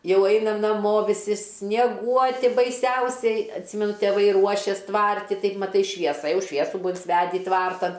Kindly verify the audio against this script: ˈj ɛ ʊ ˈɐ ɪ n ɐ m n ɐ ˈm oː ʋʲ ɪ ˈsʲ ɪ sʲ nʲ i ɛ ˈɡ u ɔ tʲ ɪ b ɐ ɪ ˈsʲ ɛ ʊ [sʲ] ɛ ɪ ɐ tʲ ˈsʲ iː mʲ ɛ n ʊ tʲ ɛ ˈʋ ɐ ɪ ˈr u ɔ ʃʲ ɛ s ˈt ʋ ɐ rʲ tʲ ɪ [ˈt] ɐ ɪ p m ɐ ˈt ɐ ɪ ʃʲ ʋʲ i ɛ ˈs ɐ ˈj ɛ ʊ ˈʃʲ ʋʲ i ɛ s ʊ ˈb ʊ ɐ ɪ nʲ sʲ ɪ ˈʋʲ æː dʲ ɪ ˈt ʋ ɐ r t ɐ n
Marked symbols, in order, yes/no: yes, yes

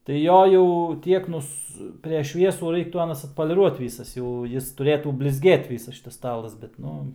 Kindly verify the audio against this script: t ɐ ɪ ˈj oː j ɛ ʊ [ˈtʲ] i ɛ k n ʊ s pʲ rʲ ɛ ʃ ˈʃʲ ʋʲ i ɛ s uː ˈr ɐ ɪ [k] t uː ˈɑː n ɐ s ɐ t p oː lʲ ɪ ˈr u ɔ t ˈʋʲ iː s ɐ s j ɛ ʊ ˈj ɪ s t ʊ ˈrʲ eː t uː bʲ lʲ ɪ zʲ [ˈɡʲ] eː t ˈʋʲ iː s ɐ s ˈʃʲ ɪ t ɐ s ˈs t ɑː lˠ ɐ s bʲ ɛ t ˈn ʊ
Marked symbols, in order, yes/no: yes, yes, yes

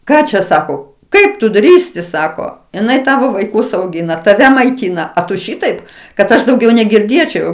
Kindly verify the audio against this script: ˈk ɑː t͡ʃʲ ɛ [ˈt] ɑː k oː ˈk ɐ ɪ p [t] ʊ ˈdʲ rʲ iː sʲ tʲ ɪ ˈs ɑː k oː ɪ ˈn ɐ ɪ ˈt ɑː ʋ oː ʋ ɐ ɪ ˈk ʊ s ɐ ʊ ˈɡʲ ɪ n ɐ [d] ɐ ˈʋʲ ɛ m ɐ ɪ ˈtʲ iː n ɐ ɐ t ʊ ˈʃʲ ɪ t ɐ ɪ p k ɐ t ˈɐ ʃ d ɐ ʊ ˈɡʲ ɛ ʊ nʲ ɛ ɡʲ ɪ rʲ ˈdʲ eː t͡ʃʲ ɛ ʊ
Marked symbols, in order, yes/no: no, yes, no

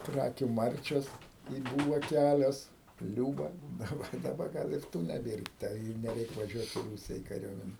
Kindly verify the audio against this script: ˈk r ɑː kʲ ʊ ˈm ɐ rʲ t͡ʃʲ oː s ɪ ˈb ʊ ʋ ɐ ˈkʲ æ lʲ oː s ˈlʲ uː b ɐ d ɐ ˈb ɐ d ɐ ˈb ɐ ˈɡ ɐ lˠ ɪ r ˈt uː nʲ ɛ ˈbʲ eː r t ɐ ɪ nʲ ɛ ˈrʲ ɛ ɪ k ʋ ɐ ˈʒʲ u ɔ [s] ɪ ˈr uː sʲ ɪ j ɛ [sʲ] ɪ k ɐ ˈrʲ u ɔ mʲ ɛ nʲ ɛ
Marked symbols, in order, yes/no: no, no

